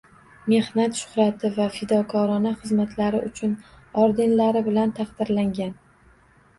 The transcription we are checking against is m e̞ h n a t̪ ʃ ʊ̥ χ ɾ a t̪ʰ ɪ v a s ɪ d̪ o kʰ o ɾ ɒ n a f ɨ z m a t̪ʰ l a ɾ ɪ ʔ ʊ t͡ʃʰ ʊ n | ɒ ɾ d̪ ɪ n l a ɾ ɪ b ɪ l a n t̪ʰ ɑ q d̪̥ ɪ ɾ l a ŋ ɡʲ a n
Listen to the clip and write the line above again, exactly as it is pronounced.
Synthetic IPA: m e̞ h n a t̪ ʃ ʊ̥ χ ɾ a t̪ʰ ɪ v a f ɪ d̪ ɒ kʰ ɒ ɾ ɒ n a χ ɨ z m a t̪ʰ l a ɾ ɪ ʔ ʊ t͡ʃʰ ʊ n | ɒ ɾ d̪ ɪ n l a ɾ ɪ b ɪ l a n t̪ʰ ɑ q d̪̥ ɪ ɾ l a ŋ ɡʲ a n